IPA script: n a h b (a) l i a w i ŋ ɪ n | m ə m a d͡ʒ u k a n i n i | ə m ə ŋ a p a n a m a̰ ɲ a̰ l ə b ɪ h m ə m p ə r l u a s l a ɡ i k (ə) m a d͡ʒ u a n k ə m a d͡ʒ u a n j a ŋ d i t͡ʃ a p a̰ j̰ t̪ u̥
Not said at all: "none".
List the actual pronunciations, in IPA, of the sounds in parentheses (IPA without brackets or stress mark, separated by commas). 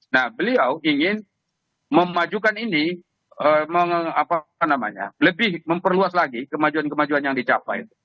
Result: ə, ə